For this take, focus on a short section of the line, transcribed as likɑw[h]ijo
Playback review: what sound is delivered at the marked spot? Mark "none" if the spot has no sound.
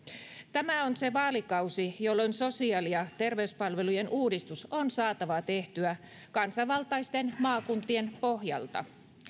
s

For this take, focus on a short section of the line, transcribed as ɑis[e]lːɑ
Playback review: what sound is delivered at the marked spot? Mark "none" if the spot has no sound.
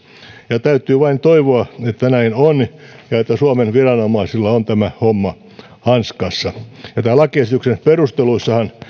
i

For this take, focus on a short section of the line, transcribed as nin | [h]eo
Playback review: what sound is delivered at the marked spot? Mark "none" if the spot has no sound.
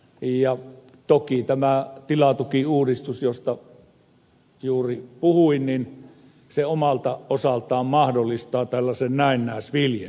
s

